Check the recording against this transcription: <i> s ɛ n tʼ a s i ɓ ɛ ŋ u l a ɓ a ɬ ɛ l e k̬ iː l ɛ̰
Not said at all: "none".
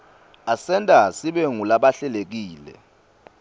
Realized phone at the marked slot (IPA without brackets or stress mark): a